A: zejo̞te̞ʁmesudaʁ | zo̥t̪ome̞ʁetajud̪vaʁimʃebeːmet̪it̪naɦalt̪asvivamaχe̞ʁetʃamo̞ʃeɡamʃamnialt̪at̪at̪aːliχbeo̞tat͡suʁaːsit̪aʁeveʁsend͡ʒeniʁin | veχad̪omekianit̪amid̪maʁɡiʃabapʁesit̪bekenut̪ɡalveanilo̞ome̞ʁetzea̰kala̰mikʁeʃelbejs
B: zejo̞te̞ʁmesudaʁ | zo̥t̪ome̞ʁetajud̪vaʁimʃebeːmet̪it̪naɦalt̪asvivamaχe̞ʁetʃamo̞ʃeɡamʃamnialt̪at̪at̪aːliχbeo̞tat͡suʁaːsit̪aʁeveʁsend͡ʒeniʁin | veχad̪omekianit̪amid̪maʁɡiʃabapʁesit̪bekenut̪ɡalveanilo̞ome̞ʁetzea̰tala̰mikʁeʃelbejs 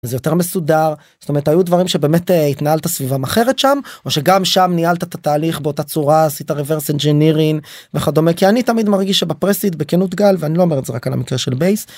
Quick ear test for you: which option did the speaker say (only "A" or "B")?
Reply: A